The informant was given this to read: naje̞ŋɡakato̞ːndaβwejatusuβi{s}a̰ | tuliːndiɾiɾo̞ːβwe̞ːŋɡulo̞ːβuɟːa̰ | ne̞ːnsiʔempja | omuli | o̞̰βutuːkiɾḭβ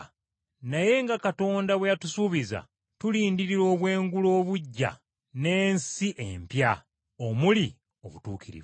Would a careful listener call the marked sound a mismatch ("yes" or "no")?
yes